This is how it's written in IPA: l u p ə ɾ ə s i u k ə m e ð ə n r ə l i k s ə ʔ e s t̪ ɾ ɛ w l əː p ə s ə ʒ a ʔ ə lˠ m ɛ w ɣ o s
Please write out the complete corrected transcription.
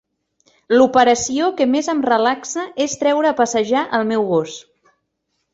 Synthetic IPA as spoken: l u p ə ɾ ə s i o k ə m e z ə m r ə l a k s ə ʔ e s t̪ ɾ ɛ w ɾ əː p ə s ə ʒ a ʔ ə lˠ m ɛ w ɣ o s

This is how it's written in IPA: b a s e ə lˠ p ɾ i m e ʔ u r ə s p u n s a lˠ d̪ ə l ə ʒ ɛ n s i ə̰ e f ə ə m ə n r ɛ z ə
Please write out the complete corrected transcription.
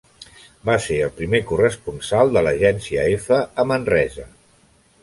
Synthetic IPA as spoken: b a s e ə lˠ p ɾ i m e k u r ə s p u n s a lˠ d̪ ə l ə ʒ ɛ n s i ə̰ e f ə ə m ə n r ɛ z ə

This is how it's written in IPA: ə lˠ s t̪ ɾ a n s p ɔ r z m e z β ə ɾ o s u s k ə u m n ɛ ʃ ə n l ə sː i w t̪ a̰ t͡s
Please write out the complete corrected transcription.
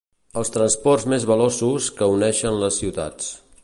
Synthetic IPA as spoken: ə lˠ s t̪ ɾ ə n s p ɔ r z m e z β ə l o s u s k ə u n ɛ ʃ ə n l ə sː i w t̪ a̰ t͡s

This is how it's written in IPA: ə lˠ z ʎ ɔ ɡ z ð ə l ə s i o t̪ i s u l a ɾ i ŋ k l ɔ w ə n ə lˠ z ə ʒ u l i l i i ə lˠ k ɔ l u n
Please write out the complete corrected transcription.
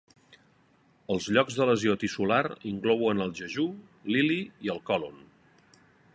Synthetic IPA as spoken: ə lˠ z ʎ ɔ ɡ z ð ə l ə z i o t̪ i s u l a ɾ i ŋ k l ɔ w ə n ə lˠ ʒ ə ʒ u l i l i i ə lˠ k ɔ l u n

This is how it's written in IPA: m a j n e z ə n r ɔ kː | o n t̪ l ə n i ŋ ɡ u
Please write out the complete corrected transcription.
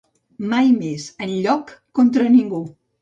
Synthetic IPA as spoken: m a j m e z ə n ʎ ɔ kː | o n t̪ ɾ ə n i ŋ ɡ u

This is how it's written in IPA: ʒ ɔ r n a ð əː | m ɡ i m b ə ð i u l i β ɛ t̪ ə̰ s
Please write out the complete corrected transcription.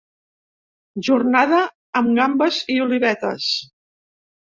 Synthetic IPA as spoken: ʒ u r n a ð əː | m ɡ a m b ə z i u l i β ɛ t̪ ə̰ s

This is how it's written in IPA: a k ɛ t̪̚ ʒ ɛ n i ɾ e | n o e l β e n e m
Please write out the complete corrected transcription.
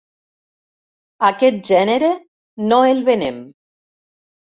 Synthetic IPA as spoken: a k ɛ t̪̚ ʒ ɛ n e ɾ e | n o e l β e n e m

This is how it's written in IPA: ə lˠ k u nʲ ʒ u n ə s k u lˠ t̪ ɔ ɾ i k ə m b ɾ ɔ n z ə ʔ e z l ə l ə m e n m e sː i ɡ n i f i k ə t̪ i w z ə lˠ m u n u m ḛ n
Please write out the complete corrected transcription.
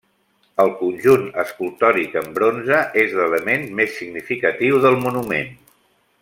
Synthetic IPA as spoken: ə lˠ k u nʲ ʒ u n ə s k u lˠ t̪ ɔ ɾ i k ə m b ɾ o n z ə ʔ e z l ə l ə m e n m e sː i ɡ n i f i k ə t̪ i w ð ə lˠ m u n u m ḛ n

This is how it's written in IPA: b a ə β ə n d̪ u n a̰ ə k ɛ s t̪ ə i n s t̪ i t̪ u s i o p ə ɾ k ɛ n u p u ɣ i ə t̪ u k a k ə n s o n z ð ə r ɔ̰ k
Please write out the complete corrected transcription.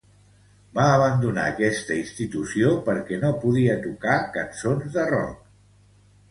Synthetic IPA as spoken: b a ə β ə n d̪ u n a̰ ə k ɛ s t̪ ə i n s t̪ i t̪ u s i o p ə ɾ k ɛ n o p u ð i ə t̪ u k a k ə n s o n z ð ə r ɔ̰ k

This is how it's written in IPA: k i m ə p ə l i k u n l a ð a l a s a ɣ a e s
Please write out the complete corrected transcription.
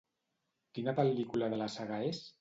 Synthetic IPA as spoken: k i n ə p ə l i k u l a ð ə l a s a ɣ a e s

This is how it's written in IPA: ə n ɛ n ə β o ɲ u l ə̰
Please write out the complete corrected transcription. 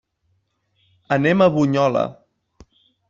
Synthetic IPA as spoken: ə n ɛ m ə β u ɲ ɔ l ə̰

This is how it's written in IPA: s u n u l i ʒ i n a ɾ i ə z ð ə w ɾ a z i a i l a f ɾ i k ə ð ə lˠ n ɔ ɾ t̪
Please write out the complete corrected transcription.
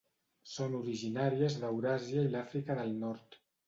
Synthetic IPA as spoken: s o n u ɾ i ʒ i n a ɾ i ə z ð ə w ɾ a z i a i l a f ɾ i k ə ð ə lˠ n ɔ ɾ t̪

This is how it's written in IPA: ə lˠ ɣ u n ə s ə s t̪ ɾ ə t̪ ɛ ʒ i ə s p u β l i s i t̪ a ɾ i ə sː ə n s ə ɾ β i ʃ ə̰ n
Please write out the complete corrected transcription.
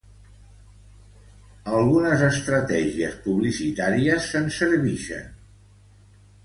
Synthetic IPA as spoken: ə lˠ ɣ u n ə z ə s t̪ ɾ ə t̪ ɛ ʒ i ə s p u β l i s i t̪ a ɾ i ə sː ə n s ə ɾ β i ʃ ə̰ n

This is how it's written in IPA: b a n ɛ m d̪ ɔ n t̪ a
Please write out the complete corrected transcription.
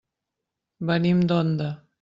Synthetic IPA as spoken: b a n i m d̪ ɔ n d̪ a

